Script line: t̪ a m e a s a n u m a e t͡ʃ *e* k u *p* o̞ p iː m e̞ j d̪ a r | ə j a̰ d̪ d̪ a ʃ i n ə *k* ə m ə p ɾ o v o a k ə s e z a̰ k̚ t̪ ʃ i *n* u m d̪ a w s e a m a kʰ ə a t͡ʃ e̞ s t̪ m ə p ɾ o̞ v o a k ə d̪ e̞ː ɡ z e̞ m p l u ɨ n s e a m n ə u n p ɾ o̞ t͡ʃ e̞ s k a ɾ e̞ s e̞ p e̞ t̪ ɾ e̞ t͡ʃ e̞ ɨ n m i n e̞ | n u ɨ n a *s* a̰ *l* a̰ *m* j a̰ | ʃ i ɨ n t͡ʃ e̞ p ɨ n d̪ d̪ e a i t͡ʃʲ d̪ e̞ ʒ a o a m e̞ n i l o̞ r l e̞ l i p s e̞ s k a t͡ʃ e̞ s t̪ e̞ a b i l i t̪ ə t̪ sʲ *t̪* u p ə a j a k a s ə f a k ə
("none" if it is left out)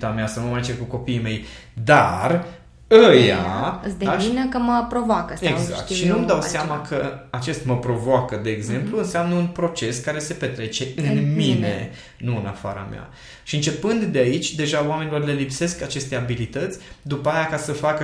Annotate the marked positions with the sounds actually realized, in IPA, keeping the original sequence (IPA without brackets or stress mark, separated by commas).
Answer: e, k, k, n, f, ɾ, m, d̪